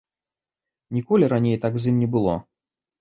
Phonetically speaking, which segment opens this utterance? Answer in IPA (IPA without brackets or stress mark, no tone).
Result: nʲ